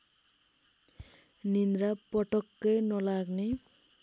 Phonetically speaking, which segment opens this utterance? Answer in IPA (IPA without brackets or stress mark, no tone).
n